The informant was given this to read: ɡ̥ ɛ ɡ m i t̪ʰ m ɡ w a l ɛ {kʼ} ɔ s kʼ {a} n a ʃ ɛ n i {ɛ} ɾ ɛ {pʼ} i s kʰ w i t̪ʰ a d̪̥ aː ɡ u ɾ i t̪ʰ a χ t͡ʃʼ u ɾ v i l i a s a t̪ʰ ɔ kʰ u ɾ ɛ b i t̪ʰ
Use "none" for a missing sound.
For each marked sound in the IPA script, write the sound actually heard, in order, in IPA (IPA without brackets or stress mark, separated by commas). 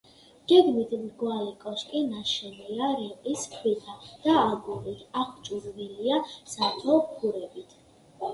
kʼ, i, a, qʼ